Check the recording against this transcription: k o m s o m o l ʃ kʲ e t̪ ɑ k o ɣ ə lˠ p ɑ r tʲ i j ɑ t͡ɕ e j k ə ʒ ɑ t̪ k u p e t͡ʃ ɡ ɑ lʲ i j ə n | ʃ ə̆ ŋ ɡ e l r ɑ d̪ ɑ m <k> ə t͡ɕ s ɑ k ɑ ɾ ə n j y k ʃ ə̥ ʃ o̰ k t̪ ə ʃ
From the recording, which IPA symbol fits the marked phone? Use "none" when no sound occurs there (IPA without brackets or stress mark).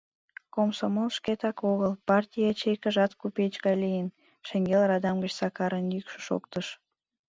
ɡ